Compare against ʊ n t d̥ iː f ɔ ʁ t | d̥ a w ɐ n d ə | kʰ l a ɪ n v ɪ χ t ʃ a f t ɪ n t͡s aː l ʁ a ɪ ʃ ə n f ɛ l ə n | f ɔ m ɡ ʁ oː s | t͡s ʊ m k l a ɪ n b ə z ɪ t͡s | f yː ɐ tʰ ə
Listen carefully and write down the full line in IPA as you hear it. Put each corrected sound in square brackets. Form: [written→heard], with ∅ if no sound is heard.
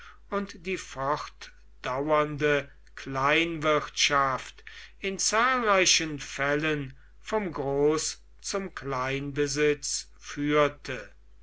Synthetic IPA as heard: ʊ n t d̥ iː f ɔ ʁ t | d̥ a w ɐ n d ə | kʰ l a ɪ n v ɪ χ t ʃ a f t ɪ n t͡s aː l ʁ a ɪ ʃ ə n f ɛ l ə n | f ɔ m ɡ ʁ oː s | t͡s ʊ m k l a ɪ n b ə z ɪ t͡s | f yː ɐ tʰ ə